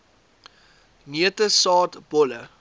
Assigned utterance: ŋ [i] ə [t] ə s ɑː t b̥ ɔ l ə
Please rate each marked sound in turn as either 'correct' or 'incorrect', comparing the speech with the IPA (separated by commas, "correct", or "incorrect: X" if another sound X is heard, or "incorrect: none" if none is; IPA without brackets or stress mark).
correct, correct